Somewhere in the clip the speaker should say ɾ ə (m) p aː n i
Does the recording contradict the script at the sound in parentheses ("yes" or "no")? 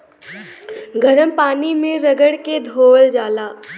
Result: no